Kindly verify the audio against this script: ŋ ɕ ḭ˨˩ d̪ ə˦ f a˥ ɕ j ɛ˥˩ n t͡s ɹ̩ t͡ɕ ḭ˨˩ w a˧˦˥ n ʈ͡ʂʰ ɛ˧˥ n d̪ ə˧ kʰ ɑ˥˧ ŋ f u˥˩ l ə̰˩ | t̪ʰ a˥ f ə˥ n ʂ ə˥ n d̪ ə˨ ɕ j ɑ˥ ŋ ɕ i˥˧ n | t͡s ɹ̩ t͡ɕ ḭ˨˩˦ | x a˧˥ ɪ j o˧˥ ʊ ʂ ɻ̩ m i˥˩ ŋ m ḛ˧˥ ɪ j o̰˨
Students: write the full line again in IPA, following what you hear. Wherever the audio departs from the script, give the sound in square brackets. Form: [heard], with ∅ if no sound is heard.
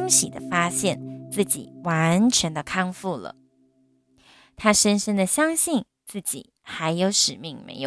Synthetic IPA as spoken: ŋ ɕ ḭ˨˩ d̪ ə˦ f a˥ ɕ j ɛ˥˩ n t͡s ɹ̩ t͡ɕ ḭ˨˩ w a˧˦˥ n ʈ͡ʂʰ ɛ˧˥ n d̪ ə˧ kʰ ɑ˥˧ ŋ f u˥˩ l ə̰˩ | t̪ʰ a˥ [ʂ] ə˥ n ʂ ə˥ n d̪ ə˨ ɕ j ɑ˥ ŋ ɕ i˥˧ n | t͡s ɹ̩ t͡ɕ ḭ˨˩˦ | x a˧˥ ɪ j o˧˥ ʊ ʂ ɻ̩ m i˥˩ ŋ m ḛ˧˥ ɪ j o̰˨